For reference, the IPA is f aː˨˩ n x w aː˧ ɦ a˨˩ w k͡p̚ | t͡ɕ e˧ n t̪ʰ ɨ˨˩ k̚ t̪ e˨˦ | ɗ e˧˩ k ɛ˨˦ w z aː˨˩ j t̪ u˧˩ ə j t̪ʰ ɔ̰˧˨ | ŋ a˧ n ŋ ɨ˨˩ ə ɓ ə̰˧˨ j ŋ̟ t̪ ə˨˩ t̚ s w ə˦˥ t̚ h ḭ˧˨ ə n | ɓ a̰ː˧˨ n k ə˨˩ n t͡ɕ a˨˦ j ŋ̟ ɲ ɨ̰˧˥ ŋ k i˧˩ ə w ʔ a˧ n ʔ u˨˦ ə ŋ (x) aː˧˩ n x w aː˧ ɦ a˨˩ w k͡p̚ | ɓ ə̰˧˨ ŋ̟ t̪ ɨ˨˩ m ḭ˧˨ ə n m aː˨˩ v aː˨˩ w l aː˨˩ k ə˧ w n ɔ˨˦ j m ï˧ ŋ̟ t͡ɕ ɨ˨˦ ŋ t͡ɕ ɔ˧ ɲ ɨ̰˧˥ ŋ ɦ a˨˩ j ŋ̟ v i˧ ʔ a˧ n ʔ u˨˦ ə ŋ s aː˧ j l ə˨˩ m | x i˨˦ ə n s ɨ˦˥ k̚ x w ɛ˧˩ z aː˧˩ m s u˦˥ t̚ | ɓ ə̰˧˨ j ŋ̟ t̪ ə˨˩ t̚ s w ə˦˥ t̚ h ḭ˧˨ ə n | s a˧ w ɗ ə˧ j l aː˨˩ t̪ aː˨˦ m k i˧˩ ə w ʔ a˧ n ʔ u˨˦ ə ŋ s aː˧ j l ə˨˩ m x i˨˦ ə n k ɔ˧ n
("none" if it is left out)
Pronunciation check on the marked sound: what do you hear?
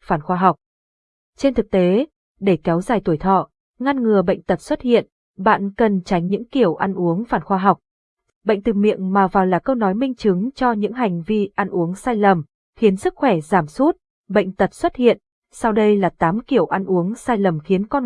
f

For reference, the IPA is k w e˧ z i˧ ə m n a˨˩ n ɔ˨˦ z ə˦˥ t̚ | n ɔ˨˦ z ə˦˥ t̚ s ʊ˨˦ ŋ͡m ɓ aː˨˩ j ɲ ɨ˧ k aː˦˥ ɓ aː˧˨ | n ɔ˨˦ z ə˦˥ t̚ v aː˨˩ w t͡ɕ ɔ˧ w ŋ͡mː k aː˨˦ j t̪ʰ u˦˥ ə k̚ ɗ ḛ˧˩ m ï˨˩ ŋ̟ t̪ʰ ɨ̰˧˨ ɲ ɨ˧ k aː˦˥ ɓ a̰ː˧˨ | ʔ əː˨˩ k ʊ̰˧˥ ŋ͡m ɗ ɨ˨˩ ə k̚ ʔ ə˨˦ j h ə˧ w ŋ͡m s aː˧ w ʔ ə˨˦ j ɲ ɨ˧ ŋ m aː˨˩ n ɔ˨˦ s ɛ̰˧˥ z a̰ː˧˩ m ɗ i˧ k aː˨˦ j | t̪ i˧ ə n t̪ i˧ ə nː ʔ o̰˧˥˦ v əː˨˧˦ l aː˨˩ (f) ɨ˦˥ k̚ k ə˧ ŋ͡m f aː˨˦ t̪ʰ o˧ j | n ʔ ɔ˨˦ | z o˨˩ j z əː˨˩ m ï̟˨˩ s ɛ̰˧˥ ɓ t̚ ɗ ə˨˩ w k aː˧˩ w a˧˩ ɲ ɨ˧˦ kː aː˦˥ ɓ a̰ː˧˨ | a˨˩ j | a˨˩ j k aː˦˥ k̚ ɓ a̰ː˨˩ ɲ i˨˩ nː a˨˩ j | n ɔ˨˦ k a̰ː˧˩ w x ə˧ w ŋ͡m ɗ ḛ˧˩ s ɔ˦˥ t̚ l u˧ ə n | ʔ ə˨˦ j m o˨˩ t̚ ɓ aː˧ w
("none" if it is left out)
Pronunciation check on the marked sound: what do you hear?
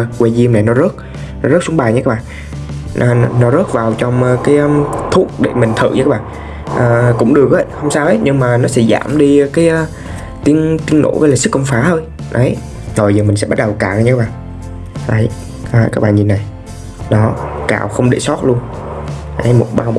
s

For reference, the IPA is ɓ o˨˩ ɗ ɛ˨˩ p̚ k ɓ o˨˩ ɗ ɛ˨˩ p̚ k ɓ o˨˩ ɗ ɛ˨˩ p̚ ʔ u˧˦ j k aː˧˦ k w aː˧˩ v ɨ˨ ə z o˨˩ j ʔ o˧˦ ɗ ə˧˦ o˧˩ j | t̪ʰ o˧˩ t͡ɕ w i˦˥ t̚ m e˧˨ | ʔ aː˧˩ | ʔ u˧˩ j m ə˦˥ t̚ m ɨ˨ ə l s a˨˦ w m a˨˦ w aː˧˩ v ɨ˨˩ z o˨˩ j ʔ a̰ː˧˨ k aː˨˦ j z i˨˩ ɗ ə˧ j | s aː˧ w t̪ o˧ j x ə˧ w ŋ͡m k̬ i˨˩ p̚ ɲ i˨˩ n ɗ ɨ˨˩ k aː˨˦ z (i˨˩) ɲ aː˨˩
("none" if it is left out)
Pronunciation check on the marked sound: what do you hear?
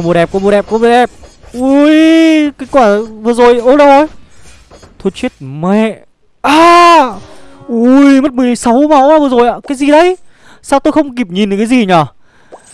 i˨˩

